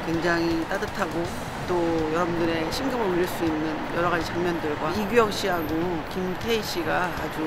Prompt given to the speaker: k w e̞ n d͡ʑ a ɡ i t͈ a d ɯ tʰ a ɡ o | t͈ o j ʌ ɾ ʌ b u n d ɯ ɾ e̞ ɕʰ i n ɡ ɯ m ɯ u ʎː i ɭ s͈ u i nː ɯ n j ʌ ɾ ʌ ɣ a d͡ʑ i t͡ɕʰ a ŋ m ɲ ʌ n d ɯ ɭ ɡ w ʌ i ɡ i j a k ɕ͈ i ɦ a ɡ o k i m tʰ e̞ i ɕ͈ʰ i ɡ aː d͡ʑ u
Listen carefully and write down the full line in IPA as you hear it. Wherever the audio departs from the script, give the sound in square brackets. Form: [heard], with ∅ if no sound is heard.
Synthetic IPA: k w e̞ [ŋ] d͡ʑ a [ŋ] i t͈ a d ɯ tʰ a ɡ o | t͈ o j ʌ ɾ ʌ b u n d ɯ ɾ e̞ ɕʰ i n ɡ ɯ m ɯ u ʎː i ɭ s͈ u i nː ɯ n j ʌ ɾ ʌ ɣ a d͡ʑ i [t͡ɕ] a ŋ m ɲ ʌ n d ɯ ɭ ɡ w [a] i ɡ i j [ʌ] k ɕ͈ i ɦ a ɡ o k i m tʰ e̞ i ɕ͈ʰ i ɡ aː d͡ʑ u